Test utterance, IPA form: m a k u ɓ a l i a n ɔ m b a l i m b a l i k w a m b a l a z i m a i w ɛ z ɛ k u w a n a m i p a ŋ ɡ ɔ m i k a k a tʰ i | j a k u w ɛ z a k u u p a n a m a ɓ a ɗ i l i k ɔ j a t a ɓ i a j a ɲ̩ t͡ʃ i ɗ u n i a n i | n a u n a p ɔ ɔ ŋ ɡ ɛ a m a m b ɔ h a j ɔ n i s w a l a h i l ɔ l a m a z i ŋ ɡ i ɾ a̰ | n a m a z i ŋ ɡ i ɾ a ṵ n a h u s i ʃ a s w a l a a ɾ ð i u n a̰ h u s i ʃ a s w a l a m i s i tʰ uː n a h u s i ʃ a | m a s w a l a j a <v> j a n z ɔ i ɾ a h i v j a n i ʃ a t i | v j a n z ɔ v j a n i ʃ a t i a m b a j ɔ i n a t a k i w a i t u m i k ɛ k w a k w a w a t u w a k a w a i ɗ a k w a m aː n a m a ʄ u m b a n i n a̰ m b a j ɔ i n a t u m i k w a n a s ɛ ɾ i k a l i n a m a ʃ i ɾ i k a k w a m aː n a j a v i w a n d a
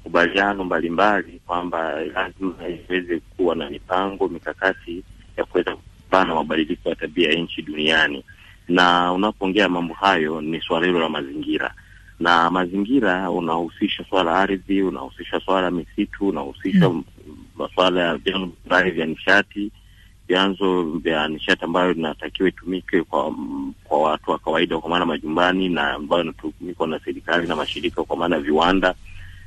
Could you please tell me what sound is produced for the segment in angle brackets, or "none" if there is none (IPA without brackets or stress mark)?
v